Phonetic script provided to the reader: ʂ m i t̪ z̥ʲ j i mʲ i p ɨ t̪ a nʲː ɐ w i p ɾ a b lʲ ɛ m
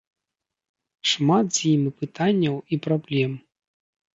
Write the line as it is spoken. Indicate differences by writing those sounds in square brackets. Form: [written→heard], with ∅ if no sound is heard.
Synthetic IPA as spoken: ʂ m [i→a] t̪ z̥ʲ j i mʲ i p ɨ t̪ a nʲː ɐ w i p ɾ a b lʲ ɛ m